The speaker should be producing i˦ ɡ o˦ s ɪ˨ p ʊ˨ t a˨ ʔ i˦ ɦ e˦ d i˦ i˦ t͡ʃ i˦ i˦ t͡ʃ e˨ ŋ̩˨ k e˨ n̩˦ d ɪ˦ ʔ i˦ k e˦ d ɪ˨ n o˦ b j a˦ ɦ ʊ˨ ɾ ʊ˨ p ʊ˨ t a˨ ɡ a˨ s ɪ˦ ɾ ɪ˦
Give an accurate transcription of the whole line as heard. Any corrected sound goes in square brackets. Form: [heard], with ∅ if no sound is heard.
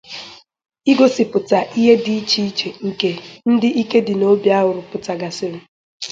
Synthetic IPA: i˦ ɡ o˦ s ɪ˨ p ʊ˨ t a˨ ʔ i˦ ɦ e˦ d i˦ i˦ t͡ʃ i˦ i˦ t͡ʃ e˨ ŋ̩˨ k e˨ n̩˦ d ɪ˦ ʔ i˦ k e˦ d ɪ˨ n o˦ b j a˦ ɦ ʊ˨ ɾ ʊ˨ p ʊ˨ t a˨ ɡ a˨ s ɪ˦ ɾ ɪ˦